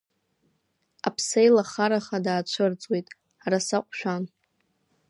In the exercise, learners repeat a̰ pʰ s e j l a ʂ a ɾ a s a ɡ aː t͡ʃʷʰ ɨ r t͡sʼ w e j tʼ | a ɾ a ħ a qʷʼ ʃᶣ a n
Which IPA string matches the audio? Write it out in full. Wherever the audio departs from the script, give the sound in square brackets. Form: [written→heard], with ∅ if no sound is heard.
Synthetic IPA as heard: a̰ pʰ s e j l a [ʂ→χ] a ɾ a [s→χ] a [ɡ→d] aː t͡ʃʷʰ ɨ r t͡sʼ w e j tʼ | a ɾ a [ħ→s] a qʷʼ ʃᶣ a n